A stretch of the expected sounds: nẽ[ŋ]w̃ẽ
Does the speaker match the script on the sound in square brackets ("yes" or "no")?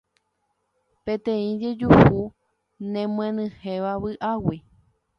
no